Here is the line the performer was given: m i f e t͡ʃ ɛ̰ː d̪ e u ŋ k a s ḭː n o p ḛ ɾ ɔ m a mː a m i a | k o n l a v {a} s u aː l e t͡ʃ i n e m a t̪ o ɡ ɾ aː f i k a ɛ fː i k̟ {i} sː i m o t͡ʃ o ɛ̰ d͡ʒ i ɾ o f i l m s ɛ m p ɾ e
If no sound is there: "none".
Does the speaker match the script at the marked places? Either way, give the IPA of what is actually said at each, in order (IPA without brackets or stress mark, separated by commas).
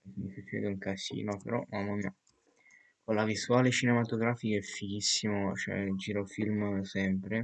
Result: i, i